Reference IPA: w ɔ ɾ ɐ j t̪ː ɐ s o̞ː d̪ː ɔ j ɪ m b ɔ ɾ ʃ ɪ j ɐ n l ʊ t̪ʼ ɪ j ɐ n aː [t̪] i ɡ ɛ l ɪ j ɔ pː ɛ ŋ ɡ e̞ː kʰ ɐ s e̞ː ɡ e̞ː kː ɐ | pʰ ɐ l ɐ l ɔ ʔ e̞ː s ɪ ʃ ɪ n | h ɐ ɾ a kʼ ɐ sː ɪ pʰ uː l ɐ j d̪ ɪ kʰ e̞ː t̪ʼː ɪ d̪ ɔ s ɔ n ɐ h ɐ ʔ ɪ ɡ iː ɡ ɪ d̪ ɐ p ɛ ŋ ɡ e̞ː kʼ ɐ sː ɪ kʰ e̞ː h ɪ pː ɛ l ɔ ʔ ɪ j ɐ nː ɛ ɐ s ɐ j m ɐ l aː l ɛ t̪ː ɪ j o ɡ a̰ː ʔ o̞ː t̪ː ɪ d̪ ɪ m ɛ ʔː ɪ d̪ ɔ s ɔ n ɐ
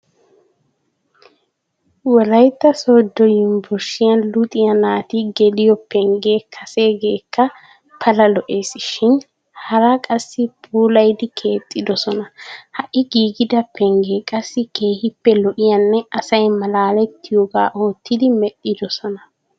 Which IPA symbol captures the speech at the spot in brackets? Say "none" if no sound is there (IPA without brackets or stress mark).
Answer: t̪